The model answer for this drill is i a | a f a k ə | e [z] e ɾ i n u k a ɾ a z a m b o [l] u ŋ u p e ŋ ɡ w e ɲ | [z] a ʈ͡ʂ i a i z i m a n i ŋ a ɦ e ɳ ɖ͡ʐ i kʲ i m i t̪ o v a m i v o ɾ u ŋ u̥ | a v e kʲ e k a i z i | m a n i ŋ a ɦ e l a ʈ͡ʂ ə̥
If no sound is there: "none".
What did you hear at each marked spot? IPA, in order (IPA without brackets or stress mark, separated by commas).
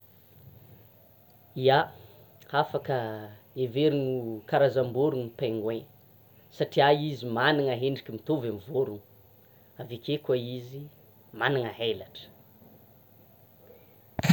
v, ɾ, s